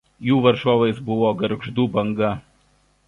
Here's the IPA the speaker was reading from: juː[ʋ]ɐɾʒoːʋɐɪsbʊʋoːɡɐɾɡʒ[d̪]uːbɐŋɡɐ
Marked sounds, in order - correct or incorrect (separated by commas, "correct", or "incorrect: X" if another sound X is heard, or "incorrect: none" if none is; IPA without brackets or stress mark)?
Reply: correct, correct